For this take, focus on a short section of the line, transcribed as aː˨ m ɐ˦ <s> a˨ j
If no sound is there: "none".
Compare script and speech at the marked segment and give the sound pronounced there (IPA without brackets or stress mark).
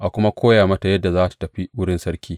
t